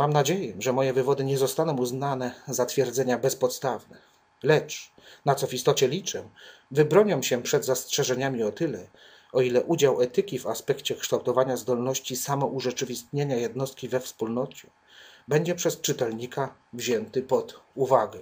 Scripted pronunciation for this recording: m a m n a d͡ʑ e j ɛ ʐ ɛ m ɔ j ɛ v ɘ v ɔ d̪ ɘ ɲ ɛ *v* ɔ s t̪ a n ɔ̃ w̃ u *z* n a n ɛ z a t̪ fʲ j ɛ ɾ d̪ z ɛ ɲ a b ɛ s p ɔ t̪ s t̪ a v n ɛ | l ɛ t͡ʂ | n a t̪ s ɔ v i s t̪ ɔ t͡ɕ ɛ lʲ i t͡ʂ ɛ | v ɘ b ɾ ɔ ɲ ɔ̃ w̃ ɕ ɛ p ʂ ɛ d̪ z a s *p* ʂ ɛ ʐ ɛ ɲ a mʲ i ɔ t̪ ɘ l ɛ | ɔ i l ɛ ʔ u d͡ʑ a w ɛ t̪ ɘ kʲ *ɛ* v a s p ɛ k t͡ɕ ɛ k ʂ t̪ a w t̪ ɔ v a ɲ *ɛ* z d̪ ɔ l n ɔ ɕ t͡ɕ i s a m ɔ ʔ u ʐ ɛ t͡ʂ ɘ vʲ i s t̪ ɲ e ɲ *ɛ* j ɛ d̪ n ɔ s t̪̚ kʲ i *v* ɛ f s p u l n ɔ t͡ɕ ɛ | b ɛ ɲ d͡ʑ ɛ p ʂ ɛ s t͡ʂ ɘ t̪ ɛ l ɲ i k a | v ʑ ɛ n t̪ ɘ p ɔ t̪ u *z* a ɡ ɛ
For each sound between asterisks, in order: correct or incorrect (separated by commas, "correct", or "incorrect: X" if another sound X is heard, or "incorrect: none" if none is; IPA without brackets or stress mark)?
incorrect: z, correct, incorrect: t, incorrect: i, incorrect: a, incorrect: a, correct, incorrect: v